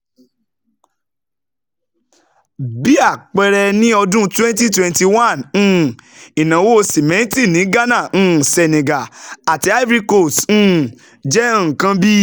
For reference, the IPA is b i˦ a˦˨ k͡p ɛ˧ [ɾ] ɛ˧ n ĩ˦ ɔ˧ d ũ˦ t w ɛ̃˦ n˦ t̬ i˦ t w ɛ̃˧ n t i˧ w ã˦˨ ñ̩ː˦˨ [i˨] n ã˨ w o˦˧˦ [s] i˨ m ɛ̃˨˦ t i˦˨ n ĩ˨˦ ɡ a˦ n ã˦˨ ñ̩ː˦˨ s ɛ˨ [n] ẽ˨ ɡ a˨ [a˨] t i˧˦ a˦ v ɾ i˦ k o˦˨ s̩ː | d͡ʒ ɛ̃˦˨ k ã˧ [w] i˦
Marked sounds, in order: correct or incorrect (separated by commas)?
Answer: correct, correct, correct, correct, correct, incorrect